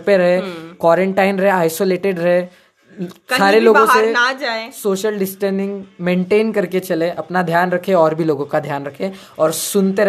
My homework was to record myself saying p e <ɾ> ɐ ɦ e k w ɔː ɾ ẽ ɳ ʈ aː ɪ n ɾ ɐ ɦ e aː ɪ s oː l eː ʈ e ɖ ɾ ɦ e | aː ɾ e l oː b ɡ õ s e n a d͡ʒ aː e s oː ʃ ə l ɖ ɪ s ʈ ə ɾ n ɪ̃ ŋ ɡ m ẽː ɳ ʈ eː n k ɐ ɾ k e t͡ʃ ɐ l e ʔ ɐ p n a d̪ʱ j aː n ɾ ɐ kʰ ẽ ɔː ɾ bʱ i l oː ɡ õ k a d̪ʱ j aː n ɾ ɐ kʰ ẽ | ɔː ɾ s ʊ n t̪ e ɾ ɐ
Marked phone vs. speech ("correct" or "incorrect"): correct